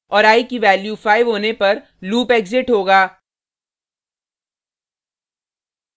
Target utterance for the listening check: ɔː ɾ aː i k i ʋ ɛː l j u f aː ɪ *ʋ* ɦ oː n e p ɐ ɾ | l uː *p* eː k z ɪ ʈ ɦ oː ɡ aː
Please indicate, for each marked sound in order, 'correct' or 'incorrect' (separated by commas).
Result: correct, correct